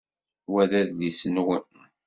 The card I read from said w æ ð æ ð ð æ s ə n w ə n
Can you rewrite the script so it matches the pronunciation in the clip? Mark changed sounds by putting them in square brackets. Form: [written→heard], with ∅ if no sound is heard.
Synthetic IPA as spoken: w æ ð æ ð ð [æ→i] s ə n w ə n